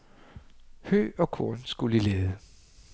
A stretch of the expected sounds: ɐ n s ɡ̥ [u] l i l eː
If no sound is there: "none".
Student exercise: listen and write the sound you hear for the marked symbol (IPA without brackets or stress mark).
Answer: u